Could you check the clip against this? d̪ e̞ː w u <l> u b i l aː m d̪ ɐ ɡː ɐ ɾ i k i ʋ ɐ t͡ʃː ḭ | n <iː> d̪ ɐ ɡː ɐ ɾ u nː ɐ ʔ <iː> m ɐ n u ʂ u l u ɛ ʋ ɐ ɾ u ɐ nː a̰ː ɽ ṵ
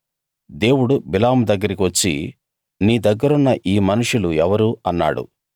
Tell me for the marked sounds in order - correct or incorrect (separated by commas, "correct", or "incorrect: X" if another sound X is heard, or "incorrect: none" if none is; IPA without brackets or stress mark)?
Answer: incorrect: ɽ, correct, correct